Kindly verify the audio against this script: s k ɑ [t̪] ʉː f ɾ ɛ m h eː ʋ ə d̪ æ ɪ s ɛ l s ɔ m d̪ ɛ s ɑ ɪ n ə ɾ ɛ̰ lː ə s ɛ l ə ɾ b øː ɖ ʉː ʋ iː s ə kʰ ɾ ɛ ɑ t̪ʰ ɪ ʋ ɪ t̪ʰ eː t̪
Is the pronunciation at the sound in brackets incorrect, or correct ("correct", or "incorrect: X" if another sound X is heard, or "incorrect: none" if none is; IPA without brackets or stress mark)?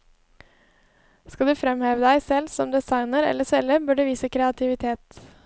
incorrect: d̪